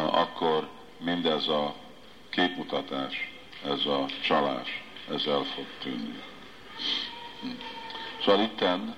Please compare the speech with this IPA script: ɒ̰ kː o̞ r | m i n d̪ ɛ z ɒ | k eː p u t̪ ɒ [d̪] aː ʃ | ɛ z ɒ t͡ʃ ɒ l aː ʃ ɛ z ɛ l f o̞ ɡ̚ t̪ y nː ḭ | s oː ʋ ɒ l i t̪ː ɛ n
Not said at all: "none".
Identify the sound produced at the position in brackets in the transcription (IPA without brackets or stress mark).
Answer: t̪